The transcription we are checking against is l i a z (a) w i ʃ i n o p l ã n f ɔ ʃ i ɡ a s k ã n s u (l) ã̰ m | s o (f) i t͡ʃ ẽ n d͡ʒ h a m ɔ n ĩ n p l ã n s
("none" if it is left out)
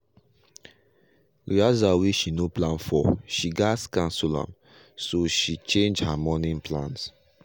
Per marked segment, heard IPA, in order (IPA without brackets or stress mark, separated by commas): a, l, ʃ